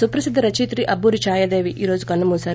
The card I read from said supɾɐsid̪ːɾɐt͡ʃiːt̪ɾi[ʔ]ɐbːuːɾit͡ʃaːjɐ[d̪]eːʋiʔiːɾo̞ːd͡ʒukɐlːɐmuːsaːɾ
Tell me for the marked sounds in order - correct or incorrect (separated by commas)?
correct, correct